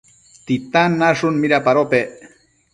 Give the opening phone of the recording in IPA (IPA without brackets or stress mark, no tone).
t̪